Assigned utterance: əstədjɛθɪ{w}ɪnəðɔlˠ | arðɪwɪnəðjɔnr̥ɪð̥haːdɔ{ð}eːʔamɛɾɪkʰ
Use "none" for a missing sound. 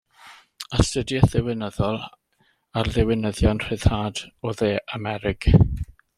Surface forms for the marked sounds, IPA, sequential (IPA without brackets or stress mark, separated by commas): w, ð